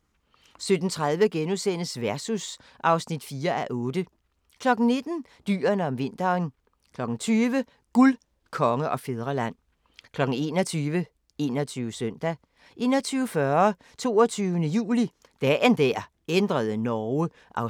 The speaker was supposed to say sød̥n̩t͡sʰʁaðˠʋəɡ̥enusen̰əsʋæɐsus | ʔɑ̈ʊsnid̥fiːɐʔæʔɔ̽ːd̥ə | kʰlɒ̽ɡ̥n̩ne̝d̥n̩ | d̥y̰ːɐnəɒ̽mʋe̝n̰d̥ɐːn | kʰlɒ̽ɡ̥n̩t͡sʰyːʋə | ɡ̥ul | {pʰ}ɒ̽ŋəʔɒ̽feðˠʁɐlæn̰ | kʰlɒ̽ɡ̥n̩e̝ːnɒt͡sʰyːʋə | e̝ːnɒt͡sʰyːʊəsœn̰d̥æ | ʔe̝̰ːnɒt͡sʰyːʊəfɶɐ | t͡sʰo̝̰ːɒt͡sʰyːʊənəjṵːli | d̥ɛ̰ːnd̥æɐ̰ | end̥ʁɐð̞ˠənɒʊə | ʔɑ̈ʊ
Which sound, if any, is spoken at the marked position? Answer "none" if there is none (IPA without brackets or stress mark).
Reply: kʰ